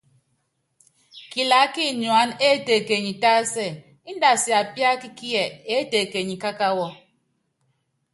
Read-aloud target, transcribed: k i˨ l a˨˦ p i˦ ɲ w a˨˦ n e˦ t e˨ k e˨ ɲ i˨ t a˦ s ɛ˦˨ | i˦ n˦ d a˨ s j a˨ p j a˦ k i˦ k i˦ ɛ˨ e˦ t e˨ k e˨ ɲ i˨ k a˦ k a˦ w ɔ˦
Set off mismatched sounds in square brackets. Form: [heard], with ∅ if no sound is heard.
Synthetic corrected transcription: k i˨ l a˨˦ [k] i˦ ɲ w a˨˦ n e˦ t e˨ k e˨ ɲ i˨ t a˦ s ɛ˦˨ | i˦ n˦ d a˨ s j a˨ p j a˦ k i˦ k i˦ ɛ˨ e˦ t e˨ k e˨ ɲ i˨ k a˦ k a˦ w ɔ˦

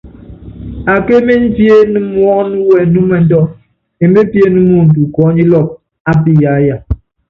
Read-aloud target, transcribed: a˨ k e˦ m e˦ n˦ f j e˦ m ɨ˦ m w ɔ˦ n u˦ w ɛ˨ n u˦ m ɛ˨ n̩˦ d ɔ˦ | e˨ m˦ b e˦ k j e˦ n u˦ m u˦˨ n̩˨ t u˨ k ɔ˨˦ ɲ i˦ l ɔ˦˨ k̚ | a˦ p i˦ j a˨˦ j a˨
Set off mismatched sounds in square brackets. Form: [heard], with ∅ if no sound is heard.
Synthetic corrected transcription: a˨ k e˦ m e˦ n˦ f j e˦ [n] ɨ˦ m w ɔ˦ n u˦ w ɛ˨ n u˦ m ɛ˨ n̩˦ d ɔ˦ | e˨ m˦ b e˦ [p] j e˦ n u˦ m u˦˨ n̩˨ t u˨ k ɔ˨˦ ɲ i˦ l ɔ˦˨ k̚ | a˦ p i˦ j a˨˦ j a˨

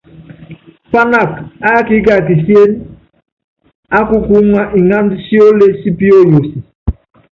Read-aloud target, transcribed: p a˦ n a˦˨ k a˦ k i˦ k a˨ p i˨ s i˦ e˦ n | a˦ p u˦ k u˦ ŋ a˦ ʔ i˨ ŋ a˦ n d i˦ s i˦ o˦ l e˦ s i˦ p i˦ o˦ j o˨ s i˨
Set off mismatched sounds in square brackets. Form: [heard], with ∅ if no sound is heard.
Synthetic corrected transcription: p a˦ n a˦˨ k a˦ k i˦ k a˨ [k] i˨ s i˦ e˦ n | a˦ [k] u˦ k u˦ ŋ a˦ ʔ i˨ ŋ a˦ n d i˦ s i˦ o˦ l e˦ s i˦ p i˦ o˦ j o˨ s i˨

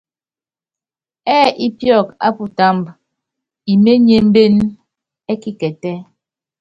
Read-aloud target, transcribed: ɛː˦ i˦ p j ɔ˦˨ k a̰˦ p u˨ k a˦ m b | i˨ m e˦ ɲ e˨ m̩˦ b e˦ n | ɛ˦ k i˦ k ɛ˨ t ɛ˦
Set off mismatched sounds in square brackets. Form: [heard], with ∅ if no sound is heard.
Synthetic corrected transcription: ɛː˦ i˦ p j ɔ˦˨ k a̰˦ p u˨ [t] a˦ m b | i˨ m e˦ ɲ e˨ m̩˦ b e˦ n | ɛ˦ k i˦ k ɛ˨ t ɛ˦

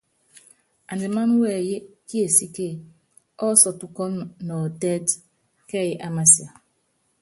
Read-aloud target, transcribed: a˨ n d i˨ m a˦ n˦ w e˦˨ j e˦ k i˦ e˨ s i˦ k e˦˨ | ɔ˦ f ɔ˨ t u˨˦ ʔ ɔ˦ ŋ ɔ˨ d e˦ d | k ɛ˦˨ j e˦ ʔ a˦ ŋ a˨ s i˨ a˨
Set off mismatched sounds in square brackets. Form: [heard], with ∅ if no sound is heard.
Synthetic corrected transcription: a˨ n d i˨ m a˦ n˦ w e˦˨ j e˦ k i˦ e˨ s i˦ k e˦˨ | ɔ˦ [s] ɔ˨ t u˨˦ [k] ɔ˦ [n] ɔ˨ d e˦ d | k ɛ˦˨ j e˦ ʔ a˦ [m] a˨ s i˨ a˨

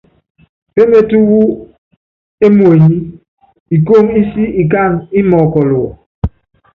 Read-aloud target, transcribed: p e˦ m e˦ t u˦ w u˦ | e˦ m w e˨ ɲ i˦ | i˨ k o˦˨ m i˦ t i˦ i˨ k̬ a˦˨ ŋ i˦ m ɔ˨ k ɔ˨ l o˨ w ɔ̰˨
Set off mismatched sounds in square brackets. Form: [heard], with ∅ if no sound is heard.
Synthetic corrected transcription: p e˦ m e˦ t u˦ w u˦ | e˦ m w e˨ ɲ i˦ | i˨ k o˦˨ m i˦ [s] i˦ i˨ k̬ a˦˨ ŋ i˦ m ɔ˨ k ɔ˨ l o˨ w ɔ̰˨

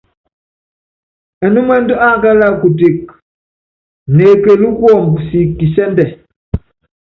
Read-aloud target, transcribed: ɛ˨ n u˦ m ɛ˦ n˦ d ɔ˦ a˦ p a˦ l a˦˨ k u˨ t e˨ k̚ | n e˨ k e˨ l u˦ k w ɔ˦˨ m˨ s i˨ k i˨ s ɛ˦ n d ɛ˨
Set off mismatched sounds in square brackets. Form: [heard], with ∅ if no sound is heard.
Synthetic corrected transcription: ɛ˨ n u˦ m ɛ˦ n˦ d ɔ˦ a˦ [k] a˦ l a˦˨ k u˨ t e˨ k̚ | n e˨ k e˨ l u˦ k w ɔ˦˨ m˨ s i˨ k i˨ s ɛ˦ n d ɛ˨

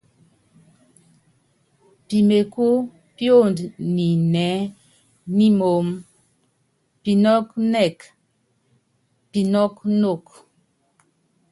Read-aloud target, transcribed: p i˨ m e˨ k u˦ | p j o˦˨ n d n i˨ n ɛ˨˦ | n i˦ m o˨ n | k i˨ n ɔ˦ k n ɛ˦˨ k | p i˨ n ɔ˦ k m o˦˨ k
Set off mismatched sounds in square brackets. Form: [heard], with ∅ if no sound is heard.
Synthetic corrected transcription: p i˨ m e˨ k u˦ | p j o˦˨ n d n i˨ n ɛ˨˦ | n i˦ m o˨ [m] | [p] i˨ n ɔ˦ k n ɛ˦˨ k | p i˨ n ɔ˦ k [n] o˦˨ k

